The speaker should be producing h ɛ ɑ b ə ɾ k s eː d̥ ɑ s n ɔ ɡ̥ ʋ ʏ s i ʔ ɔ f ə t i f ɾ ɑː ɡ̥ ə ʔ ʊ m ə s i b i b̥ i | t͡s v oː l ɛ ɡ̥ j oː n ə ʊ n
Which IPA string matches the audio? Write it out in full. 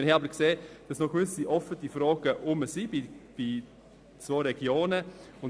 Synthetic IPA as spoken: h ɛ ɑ b ə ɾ k s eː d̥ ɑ s n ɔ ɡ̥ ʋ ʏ s i ʔ ɔ f ə t i f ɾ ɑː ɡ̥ ə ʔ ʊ m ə s i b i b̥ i | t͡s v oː ɾ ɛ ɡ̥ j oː n ə ʊ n